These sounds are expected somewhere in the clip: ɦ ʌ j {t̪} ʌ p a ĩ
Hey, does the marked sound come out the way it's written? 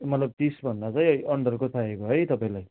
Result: yes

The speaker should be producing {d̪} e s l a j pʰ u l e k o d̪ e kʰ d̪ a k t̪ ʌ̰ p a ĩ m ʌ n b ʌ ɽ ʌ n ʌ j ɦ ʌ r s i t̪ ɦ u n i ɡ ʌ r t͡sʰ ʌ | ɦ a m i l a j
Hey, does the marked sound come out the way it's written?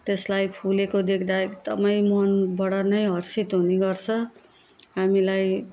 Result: no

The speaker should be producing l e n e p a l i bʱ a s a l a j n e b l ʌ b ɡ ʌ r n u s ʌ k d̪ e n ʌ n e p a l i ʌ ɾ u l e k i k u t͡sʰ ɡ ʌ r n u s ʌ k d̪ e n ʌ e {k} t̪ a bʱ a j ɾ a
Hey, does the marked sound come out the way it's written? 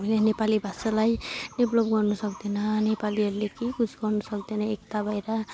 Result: yes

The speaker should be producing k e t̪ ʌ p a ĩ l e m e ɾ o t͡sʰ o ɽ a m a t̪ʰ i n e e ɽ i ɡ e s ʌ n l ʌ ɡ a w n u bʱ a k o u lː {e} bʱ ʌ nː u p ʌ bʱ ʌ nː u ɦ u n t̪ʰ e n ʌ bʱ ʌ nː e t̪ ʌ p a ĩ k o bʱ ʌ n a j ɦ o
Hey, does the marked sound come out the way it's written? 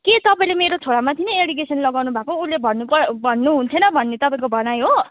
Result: yes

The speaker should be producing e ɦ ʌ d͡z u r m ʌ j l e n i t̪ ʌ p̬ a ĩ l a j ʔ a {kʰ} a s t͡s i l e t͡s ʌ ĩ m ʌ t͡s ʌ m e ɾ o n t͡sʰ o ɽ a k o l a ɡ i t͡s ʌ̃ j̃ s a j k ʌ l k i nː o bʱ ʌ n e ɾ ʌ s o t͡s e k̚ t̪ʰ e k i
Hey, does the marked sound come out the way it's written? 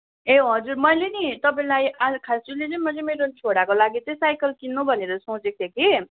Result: yes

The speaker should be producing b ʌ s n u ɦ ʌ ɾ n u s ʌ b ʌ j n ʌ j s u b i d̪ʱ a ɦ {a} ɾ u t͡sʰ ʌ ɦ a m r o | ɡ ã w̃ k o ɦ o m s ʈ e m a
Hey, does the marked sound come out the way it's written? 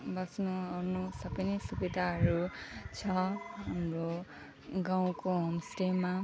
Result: no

